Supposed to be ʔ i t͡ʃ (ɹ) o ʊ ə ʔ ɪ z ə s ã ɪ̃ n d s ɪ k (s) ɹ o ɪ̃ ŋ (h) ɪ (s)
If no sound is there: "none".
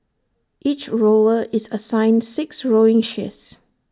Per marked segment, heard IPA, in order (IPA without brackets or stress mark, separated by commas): ɹ, s, ʃ, s